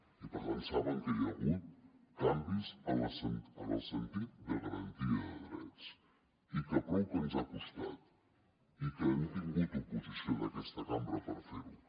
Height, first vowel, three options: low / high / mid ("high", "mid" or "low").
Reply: high